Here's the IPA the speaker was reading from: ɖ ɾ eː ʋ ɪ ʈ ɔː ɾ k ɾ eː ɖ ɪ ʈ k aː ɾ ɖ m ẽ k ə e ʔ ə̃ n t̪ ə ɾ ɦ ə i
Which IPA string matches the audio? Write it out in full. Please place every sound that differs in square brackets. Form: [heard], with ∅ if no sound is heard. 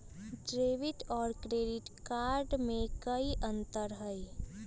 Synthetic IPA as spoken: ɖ ɾ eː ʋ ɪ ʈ ɔː ɾ k ɾ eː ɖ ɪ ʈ k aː ɾ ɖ m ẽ k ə [i] ʔ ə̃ n t̪ ə ɾ ɦ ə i